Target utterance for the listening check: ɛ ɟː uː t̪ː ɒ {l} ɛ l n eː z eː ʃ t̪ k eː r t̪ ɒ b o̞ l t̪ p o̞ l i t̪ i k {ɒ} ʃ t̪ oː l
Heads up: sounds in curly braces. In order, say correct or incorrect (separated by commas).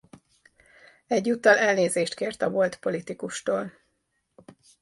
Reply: correct, incorrect